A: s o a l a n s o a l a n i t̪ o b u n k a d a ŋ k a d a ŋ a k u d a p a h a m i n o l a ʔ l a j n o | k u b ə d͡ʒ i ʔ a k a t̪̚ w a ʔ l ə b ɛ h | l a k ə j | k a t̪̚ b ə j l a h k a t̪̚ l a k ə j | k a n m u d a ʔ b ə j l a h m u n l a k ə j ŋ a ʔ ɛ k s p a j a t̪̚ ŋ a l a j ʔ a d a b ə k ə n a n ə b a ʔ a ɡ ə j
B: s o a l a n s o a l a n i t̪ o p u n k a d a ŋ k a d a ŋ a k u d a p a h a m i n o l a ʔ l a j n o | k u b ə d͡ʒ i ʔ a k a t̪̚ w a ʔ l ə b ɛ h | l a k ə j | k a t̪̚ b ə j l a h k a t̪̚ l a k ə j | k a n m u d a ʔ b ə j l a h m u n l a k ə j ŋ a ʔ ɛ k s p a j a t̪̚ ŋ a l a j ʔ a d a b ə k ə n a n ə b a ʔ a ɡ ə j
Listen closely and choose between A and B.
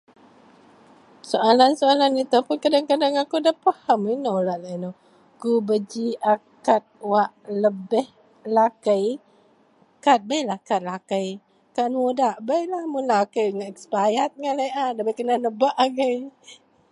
B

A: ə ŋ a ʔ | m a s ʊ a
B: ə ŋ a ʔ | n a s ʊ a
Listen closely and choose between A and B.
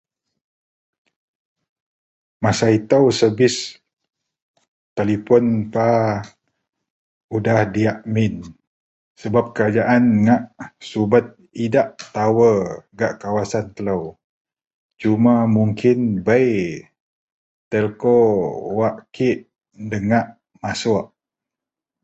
A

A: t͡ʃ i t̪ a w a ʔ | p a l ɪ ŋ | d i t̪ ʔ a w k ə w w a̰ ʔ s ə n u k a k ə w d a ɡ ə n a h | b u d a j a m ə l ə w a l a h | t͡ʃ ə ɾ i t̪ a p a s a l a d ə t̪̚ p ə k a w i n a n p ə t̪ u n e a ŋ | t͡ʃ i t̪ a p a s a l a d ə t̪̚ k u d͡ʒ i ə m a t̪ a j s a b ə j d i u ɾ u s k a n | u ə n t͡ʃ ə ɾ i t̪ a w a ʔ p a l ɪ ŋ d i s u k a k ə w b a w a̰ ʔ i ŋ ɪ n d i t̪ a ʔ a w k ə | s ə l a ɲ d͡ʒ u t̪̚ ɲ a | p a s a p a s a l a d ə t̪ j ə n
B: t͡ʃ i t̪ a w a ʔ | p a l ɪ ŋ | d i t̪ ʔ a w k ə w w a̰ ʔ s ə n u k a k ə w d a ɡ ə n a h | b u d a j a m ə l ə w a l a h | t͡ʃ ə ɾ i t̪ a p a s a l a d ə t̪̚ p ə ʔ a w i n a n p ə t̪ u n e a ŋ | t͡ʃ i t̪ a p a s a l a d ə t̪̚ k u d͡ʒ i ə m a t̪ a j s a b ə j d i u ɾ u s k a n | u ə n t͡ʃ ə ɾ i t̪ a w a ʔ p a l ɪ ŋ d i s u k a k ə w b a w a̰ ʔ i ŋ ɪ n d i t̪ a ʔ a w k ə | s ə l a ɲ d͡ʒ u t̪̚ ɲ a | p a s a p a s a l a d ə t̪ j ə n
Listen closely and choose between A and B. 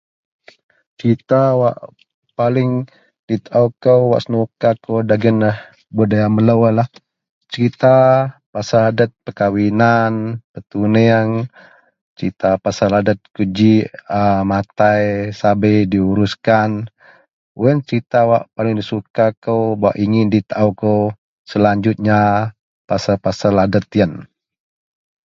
A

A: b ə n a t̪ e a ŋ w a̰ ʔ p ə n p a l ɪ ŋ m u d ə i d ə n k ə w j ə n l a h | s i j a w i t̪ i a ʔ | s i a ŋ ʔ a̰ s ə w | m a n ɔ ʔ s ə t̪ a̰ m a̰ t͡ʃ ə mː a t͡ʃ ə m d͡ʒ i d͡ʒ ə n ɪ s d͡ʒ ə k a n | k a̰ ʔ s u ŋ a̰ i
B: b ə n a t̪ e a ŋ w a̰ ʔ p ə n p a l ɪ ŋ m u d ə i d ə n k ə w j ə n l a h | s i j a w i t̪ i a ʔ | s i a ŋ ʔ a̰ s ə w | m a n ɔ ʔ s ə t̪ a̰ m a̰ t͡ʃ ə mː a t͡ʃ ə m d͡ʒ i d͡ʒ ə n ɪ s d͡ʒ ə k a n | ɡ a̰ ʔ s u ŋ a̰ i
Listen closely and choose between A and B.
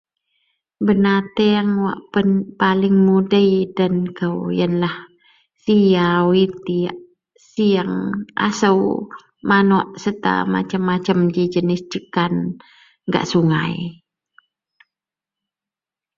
B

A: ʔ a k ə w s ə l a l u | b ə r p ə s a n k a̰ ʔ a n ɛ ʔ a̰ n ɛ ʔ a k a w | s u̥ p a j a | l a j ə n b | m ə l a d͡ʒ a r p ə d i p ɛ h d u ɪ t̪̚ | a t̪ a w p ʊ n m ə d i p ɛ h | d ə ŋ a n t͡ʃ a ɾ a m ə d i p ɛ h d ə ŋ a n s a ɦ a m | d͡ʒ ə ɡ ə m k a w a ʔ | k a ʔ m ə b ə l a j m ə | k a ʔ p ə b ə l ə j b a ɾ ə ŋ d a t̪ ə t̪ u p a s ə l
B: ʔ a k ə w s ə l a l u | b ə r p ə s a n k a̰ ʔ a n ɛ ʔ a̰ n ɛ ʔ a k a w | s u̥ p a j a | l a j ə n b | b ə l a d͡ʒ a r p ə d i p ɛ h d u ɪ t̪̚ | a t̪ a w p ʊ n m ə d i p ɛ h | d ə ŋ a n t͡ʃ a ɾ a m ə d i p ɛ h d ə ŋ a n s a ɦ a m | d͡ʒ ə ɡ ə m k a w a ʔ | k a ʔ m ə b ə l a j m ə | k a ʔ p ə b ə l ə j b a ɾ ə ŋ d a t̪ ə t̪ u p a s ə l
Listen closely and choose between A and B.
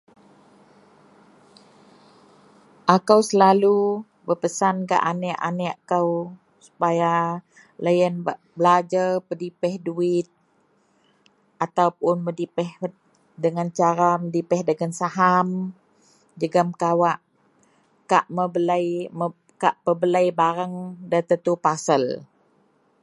B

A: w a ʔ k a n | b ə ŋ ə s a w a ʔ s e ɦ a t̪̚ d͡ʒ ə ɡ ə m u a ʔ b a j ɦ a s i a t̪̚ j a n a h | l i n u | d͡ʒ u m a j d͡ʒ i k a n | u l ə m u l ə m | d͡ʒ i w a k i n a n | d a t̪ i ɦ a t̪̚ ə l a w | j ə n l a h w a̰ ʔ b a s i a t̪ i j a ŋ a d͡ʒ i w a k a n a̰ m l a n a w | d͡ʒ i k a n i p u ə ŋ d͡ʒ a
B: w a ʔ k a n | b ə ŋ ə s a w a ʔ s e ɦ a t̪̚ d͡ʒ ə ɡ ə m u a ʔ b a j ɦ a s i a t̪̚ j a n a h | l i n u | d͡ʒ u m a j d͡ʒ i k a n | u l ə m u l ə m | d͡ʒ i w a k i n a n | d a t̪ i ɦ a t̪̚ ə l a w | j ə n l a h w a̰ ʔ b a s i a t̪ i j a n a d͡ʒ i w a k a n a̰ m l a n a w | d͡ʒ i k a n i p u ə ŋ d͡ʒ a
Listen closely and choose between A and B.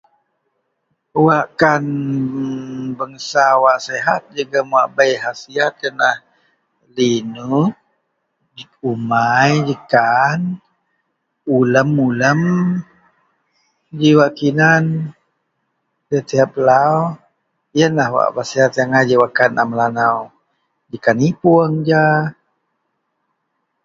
A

